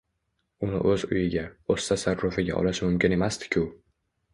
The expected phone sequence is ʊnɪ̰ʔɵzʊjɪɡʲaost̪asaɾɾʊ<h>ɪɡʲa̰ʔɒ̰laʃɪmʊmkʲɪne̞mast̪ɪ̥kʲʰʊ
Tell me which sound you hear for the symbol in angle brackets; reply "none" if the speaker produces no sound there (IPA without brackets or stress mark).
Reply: f